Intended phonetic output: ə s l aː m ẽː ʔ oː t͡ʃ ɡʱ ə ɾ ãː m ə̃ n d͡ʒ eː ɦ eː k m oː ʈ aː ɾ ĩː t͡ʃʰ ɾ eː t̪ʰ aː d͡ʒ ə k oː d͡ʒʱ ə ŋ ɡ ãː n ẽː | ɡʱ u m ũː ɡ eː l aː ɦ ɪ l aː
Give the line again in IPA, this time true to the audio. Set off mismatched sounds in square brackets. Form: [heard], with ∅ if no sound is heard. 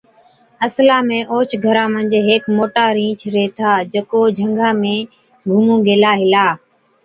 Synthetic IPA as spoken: ə s l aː m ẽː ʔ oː t͡ʃ ɡʱ ə ɾ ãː m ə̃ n d͡ʒ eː ɦ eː k m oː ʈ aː ɾ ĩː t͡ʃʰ ɾ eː t̪ʰ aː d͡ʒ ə k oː d͡ʒʱ ə ŋ ɡ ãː [m] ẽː | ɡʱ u m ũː ɡ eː l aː ɦ ɪ l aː